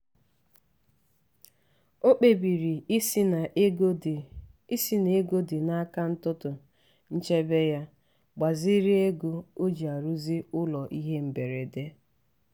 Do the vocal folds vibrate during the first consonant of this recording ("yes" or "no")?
no